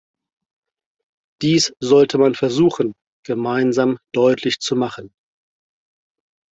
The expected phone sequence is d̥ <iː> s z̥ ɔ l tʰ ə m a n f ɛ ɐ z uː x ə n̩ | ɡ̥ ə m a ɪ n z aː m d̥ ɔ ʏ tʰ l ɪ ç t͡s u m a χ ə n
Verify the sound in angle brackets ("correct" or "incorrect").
correct